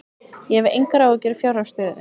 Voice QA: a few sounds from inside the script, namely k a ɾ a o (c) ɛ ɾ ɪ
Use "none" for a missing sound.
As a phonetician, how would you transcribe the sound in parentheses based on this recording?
c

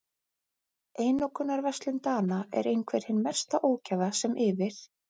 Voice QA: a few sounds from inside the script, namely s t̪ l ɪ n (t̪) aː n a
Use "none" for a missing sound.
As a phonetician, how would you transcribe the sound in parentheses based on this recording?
t̪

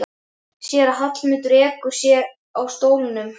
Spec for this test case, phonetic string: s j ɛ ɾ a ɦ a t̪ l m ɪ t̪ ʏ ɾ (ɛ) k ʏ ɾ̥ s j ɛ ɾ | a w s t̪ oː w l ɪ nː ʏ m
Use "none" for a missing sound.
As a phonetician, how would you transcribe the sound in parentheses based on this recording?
ɛː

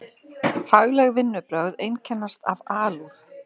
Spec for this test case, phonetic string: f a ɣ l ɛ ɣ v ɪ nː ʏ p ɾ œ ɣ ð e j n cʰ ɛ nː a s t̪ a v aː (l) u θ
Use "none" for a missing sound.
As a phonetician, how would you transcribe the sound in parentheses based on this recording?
l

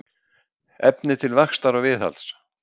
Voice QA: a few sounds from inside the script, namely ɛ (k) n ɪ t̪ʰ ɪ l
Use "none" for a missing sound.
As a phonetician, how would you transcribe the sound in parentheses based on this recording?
p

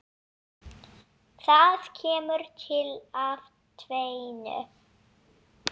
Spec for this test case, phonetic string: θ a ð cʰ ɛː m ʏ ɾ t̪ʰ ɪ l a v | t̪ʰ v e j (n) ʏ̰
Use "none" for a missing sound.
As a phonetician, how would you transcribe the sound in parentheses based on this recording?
n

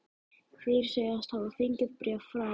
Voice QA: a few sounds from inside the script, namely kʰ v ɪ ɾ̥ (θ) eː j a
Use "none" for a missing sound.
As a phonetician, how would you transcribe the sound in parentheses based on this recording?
s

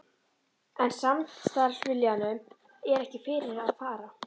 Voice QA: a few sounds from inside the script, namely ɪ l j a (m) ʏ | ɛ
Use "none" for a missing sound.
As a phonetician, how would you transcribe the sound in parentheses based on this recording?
n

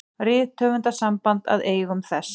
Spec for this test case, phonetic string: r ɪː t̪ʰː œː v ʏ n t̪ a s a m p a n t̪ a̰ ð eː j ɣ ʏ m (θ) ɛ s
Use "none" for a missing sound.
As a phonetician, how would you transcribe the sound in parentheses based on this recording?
θ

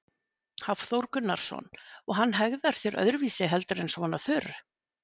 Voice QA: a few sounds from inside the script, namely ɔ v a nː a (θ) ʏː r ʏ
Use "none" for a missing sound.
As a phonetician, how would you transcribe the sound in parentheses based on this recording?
θ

